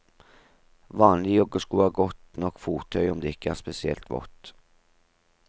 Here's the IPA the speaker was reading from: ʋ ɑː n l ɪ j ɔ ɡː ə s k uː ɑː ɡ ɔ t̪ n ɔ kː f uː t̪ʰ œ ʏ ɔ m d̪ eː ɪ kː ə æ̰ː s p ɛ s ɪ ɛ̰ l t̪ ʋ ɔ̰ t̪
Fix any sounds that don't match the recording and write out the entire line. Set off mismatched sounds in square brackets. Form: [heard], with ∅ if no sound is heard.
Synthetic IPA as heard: ʋ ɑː n l ɪ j ɔ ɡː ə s k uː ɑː ɡ ɔ t̪ n ɔ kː f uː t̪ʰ œ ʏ ɔ m d̪ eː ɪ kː ə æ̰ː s p ɛ s ɪ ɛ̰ l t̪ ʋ ɔ̰ t̪